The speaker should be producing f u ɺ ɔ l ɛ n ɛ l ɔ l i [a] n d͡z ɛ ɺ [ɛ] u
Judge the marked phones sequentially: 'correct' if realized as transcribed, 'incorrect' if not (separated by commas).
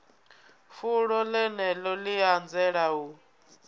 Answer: correct, incorrect